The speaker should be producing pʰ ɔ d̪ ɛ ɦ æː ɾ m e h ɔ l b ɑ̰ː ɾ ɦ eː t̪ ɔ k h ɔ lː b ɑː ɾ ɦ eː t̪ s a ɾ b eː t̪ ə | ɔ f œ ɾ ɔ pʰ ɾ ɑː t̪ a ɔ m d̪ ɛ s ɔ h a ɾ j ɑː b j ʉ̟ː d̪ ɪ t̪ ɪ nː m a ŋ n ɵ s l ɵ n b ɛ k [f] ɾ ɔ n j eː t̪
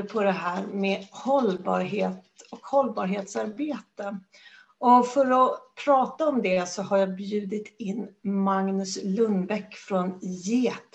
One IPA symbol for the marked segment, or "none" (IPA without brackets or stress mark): f